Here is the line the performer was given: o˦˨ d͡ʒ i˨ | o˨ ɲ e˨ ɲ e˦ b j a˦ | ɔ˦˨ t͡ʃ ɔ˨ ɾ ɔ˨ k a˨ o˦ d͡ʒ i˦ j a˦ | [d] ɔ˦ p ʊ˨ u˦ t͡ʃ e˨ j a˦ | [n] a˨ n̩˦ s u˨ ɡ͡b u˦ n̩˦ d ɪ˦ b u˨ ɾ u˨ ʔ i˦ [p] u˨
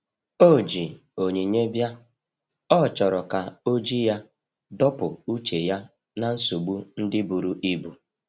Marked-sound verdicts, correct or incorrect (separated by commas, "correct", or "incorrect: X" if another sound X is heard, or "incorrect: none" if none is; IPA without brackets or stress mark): correct, correct, incorrect: b